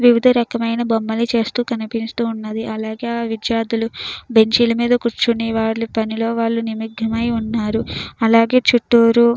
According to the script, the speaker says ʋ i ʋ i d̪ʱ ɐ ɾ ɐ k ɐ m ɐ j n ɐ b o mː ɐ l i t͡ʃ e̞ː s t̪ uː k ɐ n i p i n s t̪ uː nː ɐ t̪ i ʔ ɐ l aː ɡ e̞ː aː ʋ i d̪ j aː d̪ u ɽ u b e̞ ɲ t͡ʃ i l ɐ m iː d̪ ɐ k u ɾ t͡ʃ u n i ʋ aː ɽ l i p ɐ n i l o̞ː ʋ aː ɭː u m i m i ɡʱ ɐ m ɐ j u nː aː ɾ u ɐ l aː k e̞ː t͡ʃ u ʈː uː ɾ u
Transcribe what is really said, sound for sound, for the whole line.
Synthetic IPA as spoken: ʋ i ʋ i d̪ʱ ɐ ɾ ɐ k ɐ m ɐ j n ɐ b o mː ɐ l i t͡ʃ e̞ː s t̪ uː k ɐ n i p i n s t̪ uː nː ɐ d̪ i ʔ ɐ l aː ɡ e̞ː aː ʋ i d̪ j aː d̪ u l u b e̞ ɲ t͡ʃ i l ɐ m iː d̪ ɐ k u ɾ t͡ʃ u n i ʋ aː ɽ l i p ɐ n i l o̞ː ʋ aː ɭː u n i m i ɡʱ ɐ m ɐ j u nː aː ɾ u ɐ l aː ɡ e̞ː t͡ʃ u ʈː uː ɾ u